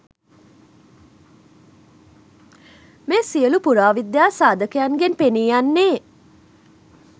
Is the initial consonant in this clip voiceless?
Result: no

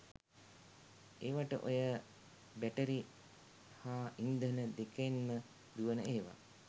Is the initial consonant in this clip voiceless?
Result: no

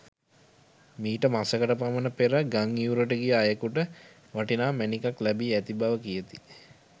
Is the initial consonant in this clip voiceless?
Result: no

